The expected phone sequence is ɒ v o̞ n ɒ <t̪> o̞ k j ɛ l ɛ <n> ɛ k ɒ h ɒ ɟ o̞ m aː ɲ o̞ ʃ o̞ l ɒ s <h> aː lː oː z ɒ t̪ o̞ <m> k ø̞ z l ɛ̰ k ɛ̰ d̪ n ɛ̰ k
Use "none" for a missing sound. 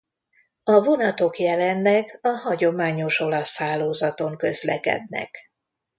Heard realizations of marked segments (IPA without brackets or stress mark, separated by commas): t̪, nː, h, ŋ